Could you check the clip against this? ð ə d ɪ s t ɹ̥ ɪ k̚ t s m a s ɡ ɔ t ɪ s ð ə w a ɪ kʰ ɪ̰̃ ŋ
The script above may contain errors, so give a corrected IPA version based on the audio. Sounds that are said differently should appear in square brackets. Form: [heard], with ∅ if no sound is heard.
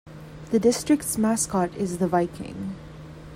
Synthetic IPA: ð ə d ɪ s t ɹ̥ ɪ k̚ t s m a s [k] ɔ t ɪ [z] ð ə [v] a ɪ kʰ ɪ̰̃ ŋ